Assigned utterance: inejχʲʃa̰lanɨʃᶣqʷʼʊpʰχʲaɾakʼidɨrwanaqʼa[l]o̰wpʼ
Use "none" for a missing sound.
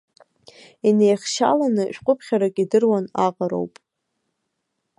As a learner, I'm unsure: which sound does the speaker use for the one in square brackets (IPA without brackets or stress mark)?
ɾ